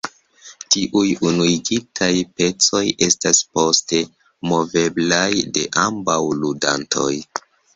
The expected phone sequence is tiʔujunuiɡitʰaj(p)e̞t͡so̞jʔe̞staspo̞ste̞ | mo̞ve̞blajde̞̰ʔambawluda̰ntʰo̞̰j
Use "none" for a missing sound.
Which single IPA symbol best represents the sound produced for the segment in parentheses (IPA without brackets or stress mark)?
p